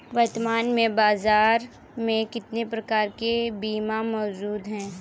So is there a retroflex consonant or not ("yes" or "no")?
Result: no